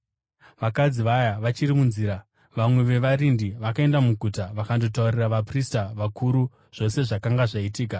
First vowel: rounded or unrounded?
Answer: unrounded